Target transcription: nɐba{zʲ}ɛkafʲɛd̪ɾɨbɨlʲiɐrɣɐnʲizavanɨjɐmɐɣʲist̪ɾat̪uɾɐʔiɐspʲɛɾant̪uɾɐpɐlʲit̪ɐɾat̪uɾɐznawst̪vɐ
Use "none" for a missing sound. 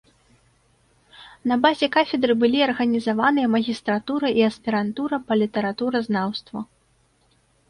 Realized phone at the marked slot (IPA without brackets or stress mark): zʲ